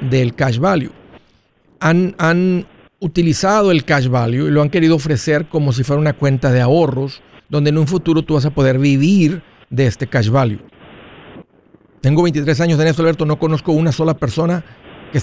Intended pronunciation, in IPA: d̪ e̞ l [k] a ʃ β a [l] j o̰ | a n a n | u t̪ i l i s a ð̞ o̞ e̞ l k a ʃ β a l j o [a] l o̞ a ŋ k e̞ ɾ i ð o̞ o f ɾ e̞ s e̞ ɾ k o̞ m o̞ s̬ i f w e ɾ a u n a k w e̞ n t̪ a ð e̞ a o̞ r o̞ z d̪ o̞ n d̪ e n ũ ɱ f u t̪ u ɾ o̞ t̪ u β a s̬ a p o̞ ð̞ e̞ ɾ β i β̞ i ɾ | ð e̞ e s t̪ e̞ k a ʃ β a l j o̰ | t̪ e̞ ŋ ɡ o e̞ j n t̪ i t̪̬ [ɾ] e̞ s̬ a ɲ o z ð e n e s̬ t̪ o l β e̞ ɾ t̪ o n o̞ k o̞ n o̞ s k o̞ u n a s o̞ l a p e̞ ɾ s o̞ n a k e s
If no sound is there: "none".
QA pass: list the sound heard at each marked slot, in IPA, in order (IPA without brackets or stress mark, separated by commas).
k, l, i, ɾ